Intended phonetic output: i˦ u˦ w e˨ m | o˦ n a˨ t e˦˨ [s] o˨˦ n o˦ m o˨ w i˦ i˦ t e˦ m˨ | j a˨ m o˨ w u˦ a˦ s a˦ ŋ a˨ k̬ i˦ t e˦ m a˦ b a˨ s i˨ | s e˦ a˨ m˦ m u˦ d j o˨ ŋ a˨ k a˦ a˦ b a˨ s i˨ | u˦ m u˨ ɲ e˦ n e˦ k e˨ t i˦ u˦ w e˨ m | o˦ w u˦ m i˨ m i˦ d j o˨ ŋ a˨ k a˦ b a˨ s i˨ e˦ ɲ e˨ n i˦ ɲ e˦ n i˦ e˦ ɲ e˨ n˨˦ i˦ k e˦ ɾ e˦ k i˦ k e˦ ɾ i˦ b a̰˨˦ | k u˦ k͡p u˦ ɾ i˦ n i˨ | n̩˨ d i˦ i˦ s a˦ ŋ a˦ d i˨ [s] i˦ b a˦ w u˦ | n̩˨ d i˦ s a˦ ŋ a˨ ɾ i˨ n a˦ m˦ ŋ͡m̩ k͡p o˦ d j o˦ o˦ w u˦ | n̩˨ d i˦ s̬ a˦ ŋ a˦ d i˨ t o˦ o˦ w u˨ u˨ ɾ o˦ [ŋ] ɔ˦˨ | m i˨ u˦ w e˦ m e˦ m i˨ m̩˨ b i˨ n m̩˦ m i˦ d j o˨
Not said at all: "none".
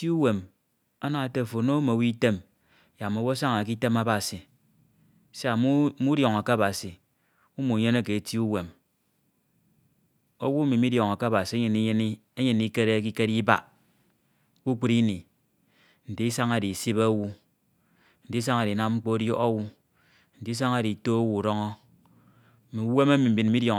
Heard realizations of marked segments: f, s, ŋ

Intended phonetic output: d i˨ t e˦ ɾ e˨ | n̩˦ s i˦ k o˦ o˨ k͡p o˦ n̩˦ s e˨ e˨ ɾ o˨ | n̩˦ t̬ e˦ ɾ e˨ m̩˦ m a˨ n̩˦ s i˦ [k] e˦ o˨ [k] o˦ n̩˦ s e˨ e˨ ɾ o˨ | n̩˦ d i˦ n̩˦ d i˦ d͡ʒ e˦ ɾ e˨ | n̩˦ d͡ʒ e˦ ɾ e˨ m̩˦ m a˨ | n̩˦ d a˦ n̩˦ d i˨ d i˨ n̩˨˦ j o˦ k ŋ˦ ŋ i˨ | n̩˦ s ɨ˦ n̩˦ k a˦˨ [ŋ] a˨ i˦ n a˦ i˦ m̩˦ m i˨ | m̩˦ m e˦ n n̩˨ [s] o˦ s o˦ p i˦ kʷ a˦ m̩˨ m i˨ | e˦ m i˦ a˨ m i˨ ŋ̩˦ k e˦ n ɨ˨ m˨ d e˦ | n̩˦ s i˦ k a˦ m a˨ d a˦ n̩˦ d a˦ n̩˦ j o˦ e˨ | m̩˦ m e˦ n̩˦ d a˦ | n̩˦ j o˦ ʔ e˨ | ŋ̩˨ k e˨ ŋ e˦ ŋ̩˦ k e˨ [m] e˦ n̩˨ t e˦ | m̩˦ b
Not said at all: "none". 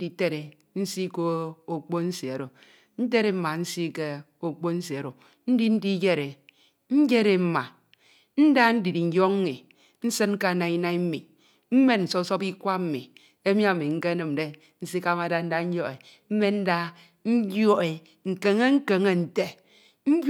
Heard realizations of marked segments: k, k͡p, n, s, ŋ

